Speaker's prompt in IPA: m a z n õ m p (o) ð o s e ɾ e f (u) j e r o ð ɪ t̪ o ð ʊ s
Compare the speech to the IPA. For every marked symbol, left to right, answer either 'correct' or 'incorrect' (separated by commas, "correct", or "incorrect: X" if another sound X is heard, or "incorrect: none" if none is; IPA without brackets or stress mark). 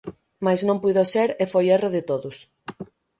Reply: incorrect: u, incorrect: o